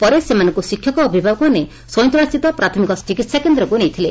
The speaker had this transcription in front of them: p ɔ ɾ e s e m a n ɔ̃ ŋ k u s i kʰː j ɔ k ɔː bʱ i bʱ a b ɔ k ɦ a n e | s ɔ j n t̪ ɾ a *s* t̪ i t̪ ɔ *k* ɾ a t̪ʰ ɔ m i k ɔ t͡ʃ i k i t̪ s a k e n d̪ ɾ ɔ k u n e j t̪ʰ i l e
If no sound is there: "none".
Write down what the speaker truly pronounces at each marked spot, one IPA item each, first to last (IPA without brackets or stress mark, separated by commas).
s, p